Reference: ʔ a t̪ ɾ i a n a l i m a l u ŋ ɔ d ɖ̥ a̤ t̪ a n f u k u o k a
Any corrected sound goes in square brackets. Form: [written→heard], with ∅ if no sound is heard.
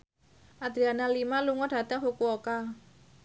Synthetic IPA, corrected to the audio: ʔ a [t̪→d̪] ɾ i a n a l i m a l u ŋ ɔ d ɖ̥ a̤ t̪ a [n→ŋ] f u k u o k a